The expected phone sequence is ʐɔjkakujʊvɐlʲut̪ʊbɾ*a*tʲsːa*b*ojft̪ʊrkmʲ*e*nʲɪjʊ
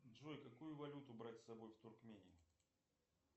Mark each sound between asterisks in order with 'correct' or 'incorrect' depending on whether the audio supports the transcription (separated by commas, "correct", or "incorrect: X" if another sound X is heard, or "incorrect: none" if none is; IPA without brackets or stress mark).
correct, correct, correct